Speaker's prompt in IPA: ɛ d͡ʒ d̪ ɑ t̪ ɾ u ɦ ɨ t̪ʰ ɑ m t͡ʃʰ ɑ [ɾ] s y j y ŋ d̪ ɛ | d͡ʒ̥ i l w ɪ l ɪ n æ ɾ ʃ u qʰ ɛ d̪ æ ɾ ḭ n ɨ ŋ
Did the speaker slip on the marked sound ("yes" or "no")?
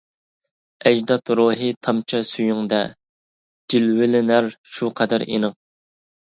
yes